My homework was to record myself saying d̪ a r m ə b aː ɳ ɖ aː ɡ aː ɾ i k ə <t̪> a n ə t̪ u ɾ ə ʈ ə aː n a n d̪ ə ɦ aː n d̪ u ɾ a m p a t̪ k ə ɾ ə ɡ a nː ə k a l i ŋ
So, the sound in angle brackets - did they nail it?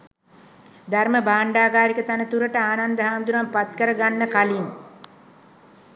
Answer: yes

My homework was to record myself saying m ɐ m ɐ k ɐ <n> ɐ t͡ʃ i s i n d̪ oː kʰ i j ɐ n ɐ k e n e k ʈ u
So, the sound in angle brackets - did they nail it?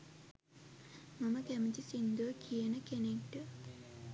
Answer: no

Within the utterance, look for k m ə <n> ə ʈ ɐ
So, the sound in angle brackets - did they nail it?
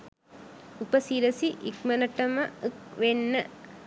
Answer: yes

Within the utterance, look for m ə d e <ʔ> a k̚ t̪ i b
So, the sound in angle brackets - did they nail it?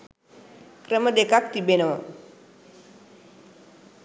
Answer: no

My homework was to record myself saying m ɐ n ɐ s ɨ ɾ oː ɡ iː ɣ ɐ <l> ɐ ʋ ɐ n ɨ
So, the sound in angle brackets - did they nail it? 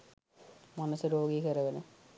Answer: no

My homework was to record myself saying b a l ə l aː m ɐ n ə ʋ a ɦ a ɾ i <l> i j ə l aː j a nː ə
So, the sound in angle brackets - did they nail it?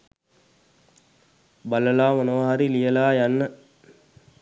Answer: yes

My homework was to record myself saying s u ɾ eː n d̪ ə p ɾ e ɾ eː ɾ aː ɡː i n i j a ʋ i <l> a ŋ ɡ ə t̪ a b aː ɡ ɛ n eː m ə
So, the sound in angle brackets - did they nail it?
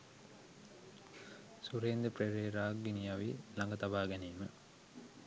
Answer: yes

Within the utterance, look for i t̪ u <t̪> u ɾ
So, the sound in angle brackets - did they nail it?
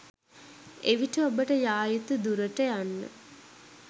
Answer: no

